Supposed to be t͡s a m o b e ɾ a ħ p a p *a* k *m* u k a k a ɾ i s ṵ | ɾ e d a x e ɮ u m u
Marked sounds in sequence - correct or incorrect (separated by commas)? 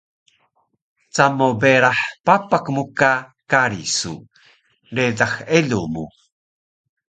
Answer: correct, correct